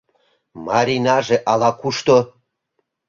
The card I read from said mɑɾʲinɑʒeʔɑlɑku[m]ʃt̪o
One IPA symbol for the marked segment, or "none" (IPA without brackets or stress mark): none